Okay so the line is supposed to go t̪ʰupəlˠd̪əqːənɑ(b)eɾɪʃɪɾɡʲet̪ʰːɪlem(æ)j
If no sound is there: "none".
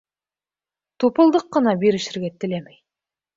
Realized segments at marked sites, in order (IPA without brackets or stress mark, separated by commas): b, e